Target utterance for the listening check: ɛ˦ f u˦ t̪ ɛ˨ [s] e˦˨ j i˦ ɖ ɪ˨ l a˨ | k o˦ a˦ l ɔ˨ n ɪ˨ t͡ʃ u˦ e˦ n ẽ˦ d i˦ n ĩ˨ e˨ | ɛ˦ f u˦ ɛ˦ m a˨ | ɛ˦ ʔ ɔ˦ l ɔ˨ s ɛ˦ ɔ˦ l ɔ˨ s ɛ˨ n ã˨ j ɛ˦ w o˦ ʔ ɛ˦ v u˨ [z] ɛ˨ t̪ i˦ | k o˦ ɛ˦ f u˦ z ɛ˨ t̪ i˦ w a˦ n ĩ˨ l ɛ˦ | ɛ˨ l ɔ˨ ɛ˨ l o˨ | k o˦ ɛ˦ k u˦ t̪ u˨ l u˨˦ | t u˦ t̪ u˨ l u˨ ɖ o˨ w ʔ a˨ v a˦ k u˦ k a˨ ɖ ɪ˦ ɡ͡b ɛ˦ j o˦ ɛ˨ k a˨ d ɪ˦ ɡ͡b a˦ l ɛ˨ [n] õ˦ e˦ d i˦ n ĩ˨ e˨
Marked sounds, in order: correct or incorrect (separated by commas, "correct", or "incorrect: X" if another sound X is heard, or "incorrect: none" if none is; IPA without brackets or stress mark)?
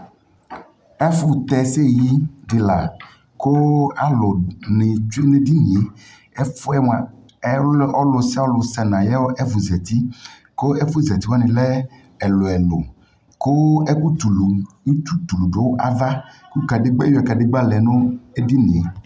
correct, correct, correct